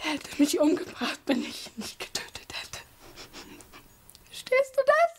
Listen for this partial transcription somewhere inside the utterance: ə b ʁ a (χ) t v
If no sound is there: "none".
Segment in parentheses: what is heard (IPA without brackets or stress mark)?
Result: χ